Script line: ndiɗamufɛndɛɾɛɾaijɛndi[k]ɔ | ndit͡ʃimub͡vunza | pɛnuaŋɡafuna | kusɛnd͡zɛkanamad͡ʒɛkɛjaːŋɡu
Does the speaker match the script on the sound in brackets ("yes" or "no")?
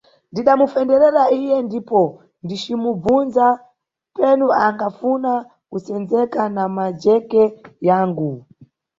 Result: no